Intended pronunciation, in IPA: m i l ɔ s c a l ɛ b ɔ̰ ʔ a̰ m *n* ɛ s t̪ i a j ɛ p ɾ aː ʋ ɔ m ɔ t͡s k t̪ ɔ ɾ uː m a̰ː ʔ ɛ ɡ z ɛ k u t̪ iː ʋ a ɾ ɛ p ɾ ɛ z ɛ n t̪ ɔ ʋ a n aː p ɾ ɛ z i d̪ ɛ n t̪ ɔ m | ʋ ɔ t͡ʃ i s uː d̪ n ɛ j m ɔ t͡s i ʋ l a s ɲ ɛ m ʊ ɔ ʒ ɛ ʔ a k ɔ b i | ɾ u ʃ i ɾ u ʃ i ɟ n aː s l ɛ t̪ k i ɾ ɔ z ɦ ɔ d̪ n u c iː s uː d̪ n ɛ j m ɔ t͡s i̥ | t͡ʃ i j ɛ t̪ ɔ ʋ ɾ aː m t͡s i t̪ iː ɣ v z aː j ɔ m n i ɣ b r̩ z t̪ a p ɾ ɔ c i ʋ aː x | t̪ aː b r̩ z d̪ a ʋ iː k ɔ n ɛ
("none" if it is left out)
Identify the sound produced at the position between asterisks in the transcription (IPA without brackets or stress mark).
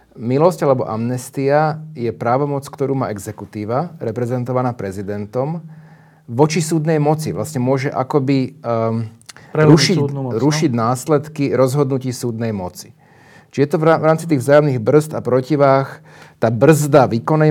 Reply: n